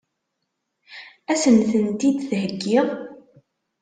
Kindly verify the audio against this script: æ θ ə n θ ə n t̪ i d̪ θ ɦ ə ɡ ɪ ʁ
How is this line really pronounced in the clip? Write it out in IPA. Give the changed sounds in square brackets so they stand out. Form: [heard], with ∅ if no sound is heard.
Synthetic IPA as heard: æ [s] ə n θ ə n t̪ i d̪ θ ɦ ə [ɡː] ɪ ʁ

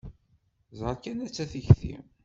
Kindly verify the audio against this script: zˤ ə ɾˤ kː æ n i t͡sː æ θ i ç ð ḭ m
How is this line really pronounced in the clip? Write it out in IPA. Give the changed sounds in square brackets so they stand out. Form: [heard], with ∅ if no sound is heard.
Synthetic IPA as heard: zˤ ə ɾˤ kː æ n [æ] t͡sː æ θ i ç [θ] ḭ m

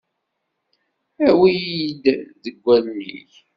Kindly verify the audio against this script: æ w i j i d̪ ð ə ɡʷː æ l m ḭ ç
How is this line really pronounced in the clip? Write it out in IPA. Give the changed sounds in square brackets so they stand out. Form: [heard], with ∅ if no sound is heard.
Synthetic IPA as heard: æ w i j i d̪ ð ə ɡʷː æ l [n] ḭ ç

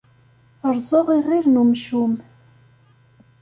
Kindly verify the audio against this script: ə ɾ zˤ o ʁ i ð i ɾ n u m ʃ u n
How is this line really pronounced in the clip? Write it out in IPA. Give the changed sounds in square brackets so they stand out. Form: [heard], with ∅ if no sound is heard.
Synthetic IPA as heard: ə ɾ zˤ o ʁ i [ʁ] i ɾ n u m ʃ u [m]

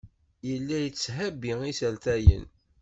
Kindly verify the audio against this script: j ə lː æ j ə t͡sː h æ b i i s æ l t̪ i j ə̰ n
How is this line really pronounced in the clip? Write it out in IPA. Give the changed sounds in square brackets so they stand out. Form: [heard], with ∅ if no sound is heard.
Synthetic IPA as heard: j ə lː æ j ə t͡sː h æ b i i s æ l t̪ [æ] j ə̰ n

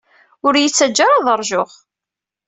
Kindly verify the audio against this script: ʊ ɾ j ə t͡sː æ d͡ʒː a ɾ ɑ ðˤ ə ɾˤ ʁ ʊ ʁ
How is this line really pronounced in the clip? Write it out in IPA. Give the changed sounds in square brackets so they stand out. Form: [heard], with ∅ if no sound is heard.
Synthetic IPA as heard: ʊ ɾ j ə t͡sː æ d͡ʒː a ɾ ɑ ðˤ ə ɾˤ [ʒ] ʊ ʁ

